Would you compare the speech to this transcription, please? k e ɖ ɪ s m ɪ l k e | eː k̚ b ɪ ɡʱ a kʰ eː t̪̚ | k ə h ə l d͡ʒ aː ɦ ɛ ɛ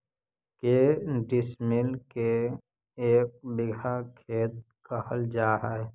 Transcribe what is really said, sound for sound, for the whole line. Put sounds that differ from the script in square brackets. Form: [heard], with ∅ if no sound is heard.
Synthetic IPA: k e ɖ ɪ s m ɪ l k e | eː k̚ b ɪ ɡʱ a kʰ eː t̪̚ | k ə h ə l d͡ʒ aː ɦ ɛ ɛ

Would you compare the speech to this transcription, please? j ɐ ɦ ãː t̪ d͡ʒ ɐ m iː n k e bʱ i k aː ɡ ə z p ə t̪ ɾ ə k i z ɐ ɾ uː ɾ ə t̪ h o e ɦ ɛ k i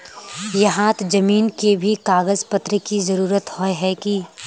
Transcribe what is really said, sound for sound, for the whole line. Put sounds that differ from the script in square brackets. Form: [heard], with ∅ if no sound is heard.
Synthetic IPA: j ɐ ɦ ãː t̪ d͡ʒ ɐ m iː n k e bʱ i k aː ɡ ə z p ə t̪ ɾ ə k i z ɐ ɾ uː ɾ ə t̪ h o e ɦ ɛ k i

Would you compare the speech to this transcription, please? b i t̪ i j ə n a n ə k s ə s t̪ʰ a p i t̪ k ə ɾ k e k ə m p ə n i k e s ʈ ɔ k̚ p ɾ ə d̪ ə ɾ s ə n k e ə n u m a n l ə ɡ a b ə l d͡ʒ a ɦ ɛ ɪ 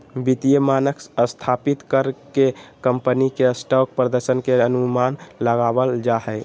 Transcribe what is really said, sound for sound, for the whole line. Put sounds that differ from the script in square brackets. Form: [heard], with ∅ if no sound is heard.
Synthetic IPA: b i t̪ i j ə [m] a n ə k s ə s t̪ʰ a p i t̪ k ə ɾ k e k ə m p ə n i k e s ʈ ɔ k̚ p ɾ ə d̪ ə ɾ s ə n k e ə n u m a n l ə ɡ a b ə l d͡ʒ a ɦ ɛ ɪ

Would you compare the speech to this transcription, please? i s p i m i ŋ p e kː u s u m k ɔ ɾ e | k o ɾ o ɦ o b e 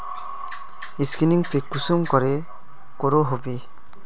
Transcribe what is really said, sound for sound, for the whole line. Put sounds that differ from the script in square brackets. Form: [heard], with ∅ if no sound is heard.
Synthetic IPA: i s [k] i [n] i ŋ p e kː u s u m k ɔ ɾ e | k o ɾ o ɦ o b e

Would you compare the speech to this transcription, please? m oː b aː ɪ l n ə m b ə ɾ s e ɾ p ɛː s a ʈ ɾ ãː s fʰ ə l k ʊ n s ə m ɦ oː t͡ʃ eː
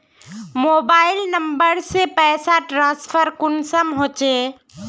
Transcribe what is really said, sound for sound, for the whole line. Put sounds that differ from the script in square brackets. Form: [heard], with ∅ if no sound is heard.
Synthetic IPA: m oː b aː ɪ l n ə m b ə ɾ s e [∅] p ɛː s a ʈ ɾ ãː s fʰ ə [ɾ] k ʊ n s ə m ɦ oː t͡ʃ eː

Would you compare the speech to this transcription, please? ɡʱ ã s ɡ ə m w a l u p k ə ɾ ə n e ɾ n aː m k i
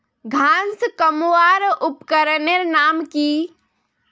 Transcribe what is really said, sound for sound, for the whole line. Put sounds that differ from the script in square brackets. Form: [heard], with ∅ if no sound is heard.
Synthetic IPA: ɡʱ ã s [k] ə m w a [ɾ] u p k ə ɾ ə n e ɾ n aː m k i

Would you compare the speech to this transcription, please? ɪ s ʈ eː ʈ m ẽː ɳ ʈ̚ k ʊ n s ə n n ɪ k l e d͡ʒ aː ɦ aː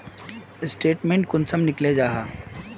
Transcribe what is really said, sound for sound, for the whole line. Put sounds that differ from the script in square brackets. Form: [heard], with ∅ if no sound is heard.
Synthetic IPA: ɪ s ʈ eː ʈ m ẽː ɳ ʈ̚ k ʊ n s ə [m] n ɪ k l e d͡ʒ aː ɦ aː

